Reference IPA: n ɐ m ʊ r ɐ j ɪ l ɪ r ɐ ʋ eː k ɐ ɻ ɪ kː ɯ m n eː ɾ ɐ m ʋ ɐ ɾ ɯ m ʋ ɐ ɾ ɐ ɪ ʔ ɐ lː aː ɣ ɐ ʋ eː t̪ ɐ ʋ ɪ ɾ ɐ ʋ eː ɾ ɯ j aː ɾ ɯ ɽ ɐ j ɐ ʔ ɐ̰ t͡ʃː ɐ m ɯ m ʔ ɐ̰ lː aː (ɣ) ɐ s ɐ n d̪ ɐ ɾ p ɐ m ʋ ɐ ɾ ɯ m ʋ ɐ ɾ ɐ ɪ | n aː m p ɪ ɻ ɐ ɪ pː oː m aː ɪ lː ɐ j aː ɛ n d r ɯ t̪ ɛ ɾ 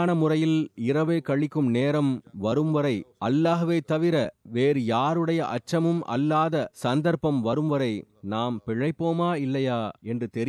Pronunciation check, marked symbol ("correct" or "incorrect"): incorrect